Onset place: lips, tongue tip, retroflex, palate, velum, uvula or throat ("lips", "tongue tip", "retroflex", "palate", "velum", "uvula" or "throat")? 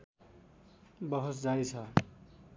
lips